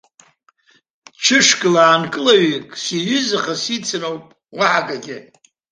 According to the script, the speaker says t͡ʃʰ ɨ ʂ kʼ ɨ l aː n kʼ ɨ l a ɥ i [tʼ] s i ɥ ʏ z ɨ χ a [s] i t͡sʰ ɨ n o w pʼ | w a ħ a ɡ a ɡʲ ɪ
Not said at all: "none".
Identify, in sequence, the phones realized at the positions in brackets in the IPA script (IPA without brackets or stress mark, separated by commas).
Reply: kʼ, s